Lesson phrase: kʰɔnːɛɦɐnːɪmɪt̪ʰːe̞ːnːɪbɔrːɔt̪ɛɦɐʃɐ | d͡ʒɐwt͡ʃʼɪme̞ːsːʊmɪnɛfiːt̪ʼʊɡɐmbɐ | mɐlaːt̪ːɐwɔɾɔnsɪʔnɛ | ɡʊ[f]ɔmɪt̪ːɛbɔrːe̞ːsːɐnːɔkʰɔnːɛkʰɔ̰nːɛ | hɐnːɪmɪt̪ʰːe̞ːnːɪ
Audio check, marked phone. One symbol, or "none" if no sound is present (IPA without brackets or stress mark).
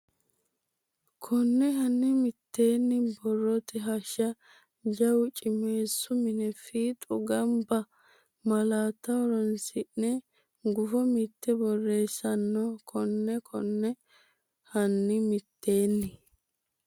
f